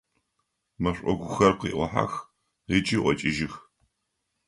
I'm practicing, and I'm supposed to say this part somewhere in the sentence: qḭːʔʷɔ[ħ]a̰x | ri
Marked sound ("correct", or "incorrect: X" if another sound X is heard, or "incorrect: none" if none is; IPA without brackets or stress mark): correct